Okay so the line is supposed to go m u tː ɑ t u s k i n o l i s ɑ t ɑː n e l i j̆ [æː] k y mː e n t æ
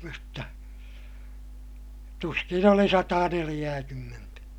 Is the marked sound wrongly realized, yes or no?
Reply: no